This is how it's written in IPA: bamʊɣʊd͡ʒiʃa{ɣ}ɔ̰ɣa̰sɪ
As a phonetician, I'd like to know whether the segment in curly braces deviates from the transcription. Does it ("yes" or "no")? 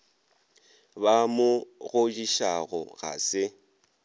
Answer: no